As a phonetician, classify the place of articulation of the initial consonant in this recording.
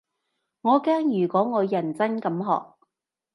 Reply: velar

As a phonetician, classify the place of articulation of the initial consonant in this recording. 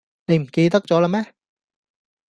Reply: alveolar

